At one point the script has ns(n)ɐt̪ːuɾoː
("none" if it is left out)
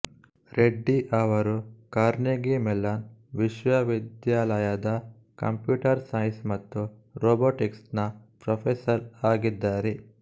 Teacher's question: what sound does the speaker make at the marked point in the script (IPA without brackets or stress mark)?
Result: m